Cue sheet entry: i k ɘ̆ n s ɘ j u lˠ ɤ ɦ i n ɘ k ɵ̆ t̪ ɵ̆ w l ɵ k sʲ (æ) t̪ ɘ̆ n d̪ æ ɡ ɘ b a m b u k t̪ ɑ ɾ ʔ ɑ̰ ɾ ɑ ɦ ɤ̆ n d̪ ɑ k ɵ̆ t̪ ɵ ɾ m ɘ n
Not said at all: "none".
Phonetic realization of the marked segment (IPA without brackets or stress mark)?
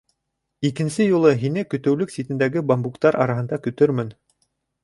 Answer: i